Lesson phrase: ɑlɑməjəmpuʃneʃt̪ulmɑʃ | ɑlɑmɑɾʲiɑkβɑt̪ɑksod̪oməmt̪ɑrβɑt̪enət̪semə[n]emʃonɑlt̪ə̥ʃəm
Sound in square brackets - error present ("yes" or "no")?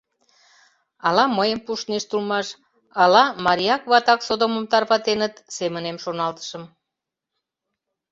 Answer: no